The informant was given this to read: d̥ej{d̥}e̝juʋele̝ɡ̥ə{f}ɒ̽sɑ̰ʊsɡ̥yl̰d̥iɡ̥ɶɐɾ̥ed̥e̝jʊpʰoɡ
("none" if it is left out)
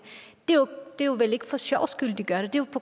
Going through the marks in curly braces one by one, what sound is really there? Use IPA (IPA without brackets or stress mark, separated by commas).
d̥, f